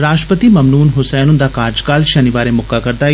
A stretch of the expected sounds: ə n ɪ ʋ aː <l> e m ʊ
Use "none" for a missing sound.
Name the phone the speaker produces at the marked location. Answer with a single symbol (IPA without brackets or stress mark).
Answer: ɾ